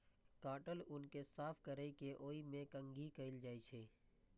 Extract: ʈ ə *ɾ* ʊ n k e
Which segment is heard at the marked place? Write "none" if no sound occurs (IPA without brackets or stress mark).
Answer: l